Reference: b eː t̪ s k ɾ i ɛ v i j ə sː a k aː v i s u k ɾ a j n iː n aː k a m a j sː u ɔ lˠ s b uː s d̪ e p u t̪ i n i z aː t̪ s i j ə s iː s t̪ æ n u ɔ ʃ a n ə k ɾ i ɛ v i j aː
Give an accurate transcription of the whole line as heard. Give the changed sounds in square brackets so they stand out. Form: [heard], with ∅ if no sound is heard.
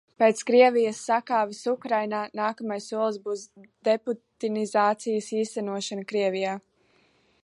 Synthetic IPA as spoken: [p] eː t̪ s k ɾ i ɛ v i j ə sː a k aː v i s u k ɾ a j n [aː] n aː k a m a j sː u ɔ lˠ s b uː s d̪ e p u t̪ i n i z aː t̪ s i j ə s iː s t̪ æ n u ɔ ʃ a n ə k ɾ i ɛ v i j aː